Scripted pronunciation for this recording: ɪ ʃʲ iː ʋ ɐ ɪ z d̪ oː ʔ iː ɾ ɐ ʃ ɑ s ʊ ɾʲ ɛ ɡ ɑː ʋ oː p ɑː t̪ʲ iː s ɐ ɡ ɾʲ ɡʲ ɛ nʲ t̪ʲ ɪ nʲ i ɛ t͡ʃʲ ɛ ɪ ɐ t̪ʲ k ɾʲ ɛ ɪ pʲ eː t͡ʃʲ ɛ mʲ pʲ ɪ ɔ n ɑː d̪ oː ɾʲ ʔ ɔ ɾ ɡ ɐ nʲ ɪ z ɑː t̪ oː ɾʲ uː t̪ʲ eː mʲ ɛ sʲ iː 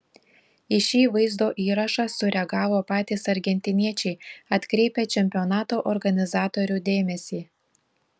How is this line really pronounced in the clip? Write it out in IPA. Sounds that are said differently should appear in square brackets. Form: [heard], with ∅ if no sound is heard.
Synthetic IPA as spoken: ɪ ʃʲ iː ʋ ɐ ɪ z d̪ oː ʔ iː ɾ ɐ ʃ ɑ s ʊ ɾʲ ɛ ɡ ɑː ʋ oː p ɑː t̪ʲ iː s ɐ [∅] ɾʲ ɡʲ ɛ nʲ t̪ʲ ɪ nʲ i ɛ t͡ʃʲ ɛ ɪ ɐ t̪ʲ k ɾʲ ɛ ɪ pʲ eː t͡ʃʲ ɛ mʲ pʲ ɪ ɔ n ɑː [t̪] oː [∅] ʔ ɔ ɾ ɡ ɐ nʲ ɪ z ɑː t̪ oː ɾʲ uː [d̪ʲ] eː mʲ ɛ sʲ iː